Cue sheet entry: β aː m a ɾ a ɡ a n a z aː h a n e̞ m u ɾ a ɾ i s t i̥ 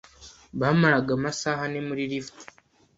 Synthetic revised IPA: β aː m a ɾ a ɡ a m a s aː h a n e̞ m u ɾ i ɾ i f t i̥